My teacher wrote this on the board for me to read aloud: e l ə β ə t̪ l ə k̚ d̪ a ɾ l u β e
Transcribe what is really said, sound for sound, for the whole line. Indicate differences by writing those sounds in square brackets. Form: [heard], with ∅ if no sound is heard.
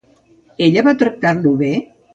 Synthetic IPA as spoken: e [ʎ] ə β [a] t̪ [ɾ] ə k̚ [t̪] a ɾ l u β e